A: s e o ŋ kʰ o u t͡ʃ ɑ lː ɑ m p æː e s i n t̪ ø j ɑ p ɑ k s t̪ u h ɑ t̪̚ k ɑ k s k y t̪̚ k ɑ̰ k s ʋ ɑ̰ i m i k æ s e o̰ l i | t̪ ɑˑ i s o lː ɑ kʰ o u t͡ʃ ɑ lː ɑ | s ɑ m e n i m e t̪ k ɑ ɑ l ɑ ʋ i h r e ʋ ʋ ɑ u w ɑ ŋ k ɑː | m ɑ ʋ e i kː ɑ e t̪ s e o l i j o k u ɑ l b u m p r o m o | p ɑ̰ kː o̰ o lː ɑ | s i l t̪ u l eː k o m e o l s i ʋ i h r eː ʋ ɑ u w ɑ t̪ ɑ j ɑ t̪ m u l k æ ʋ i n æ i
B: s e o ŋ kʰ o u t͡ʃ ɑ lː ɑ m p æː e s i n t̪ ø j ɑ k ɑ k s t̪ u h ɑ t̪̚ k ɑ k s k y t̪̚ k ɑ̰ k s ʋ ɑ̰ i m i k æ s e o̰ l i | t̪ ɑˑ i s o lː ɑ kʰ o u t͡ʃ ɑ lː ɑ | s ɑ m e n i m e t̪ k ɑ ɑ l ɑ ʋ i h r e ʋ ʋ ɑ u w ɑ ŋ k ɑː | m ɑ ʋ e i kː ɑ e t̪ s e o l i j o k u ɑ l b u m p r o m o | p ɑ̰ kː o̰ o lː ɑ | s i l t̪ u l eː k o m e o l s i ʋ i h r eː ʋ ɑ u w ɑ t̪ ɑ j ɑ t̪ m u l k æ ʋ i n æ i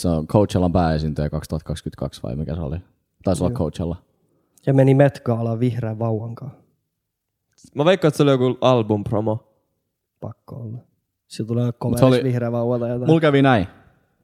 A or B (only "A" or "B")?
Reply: B